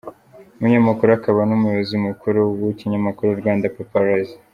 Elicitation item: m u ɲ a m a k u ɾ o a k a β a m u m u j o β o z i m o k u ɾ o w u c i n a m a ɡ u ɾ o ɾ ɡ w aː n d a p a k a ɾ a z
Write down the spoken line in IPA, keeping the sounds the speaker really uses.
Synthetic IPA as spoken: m u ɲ a m a k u ɾ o a k a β a n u m u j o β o z i m u k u ɾ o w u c i ɲ a m a k u ɾ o ɾ ɡ w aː n d a p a p a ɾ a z